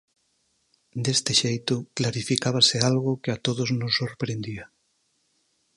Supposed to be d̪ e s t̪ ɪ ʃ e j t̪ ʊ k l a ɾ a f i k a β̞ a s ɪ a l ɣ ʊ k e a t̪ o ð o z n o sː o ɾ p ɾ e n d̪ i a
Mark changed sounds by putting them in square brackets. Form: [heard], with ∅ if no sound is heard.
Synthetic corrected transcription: d̪ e s t̪ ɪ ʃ e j t̪ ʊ k l a ɾ [i] f i k a β̞ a s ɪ a l ɣ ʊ k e a t̪ o ð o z n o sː o ɾ p ɾ e n d̪ i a